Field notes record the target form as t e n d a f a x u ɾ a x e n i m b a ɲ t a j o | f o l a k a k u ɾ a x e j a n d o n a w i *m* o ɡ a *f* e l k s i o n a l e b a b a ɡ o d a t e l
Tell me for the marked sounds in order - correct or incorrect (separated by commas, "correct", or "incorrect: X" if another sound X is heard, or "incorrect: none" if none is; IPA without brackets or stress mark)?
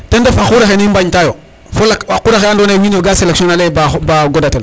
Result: incorrect: n, incorrect: s